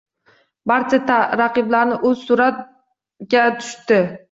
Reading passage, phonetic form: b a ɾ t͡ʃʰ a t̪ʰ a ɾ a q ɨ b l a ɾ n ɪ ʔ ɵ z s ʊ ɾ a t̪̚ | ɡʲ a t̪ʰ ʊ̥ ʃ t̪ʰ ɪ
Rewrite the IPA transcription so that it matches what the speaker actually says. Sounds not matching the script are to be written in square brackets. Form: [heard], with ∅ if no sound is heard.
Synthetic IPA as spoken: b a ɾ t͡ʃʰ a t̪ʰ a ɾ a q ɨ b l a ɾ n ɪ ʔ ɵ z s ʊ ɾ a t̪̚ | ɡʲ a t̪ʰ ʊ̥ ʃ [t̪] ɪ